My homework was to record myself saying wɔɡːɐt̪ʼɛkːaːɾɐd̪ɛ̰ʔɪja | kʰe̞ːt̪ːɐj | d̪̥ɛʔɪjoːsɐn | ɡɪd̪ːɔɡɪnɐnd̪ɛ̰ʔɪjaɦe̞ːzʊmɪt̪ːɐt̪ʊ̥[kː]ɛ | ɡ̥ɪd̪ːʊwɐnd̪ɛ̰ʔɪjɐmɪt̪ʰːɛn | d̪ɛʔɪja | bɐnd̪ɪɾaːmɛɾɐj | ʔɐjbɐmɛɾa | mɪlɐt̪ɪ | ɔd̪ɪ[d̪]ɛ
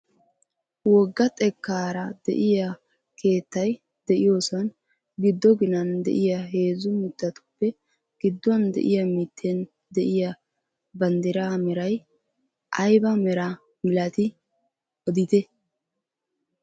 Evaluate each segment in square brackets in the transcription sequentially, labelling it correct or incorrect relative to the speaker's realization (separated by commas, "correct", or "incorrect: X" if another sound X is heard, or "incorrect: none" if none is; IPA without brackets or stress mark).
incorrect: pː, incorrect: t̪